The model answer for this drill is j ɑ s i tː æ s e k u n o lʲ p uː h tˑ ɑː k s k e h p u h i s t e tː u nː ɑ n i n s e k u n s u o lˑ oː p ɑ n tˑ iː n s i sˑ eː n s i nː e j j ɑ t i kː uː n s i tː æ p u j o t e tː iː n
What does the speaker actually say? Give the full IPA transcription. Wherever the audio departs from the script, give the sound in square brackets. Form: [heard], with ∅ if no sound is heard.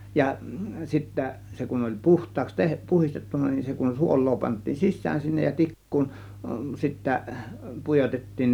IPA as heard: j ɑ s i tː æ s e k u n o lʲ p [u] h tˑ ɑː k s [t] e h p u h i s t e tː u nː ɑ n i n s e k u n s u o lˑ oː p ɑ n tˑ iː n s i sˑ [æː] n s i nː e j j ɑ t i kː uː n s i tː æ p u j o t e tː iː n